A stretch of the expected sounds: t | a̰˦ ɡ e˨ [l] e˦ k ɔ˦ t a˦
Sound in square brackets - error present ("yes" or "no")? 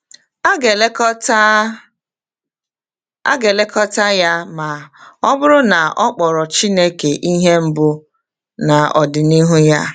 no